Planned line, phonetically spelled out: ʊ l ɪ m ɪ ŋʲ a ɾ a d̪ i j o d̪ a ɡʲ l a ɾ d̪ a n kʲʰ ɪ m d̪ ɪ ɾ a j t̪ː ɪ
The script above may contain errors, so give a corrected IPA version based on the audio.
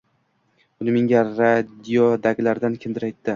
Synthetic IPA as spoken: ʊ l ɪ m ɪ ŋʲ a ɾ a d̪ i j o d̪ a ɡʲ l a ɾ d̪ a n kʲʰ ɪ n d̪ ɪ ɾ a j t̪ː ɪ